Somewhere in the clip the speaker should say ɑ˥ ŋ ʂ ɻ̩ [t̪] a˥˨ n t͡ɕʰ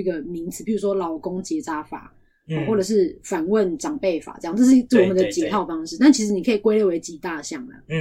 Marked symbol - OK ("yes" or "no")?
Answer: yes